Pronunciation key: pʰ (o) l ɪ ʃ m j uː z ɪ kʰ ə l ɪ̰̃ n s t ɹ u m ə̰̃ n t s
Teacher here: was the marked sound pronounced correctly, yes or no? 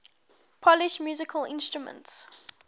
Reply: no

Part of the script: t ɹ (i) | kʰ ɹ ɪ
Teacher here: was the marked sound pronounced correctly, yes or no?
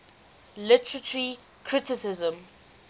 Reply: yes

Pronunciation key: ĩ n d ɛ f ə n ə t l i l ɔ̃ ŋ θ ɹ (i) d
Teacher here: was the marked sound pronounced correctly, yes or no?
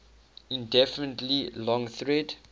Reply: no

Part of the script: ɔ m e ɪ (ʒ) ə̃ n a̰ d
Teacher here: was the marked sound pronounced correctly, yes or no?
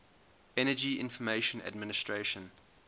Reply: no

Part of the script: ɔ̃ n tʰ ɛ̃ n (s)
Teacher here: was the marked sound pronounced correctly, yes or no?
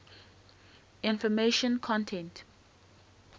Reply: no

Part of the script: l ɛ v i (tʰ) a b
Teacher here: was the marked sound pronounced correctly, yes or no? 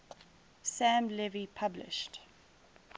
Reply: no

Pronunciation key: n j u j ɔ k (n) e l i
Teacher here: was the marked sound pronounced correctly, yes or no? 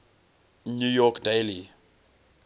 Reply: no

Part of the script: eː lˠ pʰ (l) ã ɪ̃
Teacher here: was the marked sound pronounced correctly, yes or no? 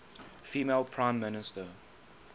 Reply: no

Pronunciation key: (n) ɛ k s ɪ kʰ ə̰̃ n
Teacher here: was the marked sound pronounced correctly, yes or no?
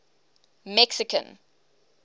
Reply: no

